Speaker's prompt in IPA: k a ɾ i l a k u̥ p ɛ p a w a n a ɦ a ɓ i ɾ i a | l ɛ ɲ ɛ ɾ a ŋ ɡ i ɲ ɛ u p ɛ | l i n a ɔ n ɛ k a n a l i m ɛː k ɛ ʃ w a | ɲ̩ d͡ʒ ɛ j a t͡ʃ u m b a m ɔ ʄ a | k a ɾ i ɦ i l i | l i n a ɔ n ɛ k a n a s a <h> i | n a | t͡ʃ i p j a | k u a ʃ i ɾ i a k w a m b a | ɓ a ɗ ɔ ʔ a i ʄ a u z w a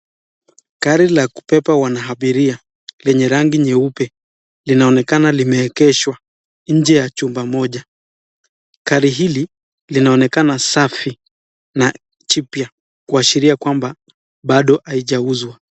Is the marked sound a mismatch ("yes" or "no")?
yes